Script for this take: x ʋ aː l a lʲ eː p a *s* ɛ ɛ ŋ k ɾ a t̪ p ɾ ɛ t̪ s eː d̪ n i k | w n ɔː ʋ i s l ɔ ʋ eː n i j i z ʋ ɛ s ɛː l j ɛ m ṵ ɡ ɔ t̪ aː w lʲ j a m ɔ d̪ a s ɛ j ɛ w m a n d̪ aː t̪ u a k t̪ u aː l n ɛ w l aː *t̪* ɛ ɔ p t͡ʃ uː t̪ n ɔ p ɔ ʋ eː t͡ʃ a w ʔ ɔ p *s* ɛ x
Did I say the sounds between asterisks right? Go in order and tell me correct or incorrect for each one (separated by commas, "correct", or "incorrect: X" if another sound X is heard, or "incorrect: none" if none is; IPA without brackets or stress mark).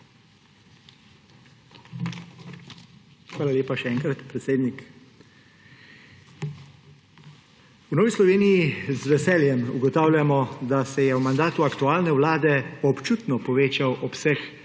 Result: incorrect: ʃ, incorrect: d̪, correct